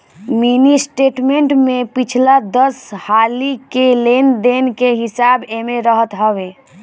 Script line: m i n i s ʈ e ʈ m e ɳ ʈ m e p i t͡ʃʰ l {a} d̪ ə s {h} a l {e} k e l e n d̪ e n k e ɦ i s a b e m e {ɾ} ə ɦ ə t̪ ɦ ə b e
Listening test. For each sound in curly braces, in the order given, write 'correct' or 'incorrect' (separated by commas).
correct, correct, incorrect, correct